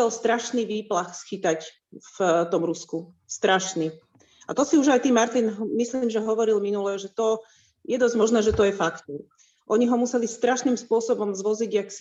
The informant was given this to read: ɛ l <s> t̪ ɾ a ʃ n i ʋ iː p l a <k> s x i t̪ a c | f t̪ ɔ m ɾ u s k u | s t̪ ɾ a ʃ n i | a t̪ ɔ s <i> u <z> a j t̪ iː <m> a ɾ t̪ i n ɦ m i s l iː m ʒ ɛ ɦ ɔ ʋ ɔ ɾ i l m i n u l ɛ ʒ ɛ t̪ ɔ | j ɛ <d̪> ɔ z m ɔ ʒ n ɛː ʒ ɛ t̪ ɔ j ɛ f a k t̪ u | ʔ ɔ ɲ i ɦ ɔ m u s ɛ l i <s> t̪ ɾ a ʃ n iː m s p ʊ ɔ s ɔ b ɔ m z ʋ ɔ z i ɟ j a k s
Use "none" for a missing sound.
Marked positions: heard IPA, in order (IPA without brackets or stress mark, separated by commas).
s, x, i, ʒ, m, d̪, s